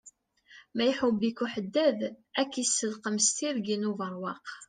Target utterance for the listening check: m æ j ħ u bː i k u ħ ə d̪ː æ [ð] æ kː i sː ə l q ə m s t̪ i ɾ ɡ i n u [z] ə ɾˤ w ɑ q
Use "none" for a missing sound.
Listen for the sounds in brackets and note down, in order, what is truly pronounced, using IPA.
ð, v

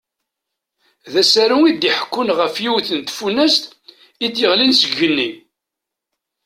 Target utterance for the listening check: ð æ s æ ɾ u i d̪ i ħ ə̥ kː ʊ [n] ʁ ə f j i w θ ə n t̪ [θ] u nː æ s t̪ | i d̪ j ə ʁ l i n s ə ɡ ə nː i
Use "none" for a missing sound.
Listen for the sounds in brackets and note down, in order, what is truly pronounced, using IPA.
n, f

